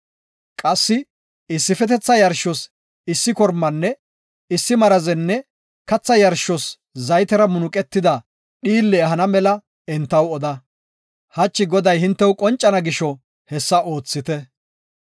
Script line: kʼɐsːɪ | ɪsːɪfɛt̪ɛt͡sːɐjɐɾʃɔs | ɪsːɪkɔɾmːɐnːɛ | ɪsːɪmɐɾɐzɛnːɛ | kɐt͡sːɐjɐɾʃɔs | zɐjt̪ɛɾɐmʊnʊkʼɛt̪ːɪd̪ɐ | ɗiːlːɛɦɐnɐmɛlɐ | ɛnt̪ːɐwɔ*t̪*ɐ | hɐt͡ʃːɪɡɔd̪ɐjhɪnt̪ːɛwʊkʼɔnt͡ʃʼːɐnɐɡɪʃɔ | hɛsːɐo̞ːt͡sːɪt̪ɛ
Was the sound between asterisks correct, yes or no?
no